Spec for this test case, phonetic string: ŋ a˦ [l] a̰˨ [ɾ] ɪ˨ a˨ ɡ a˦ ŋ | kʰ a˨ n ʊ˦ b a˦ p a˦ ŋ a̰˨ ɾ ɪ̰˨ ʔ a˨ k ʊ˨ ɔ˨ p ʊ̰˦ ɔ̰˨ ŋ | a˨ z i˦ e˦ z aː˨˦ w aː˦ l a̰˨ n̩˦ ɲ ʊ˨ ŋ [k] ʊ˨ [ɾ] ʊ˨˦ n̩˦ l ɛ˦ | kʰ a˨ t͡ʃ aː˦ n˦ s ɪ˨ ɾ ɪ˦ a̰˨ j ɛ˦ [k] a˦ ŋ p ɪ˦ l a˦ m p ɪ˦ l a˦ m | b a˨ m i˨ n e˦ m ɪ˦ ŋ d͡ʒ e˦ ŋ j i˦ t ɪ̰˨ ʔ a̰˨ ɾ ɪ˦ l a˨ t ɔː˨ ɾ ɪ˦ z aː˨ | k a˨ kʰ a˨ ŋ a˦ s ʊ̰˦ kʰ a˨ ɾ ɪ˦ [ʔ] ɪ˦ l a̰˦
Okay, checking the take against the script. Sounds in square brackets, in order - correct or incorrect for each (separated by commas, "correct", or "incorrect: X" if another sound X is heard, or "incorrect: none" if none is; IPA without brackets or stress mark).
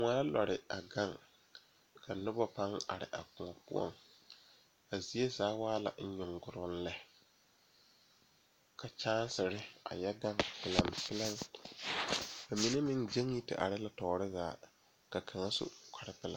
correct, correct, incorrect: ɡ, correct, incorrect: ɡ, incorrect: p